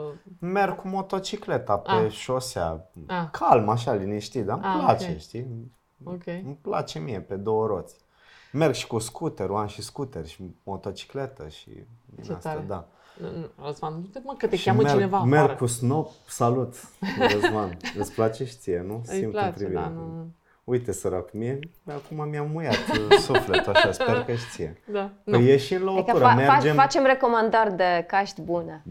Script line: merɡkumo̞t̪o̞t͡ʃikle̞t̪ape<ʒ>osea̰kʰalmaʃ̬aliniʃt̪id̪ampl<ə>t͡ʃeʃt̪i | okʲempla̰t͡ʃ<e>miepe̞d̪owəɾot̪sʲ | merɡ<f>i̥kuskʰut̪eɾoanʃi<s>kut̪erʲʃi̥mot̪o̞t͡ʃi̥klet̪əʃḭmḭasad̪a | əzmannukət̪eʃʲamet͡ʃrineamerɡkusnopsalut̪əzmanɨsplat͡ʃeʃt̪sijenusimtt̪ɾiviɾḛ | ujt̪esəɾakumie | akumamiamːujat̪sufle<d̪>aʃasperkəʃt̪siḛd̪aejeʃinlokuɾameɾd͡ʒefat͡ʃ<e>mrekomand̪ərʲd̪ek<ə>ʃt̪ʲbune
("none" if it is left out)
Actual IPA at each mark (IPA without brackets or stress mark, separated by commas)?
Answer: ʃ, a, e, ʃ, s, t̪, e, a